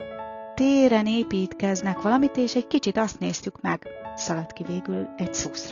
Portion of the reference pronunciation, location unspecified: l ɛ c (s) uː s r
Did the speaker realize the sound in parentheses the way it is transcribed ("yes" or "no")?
yes